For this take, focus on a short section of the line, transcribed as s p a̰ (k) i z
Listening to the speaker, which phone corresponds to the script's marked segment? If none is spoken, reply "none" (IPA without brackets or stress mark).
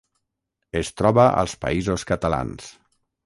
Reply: none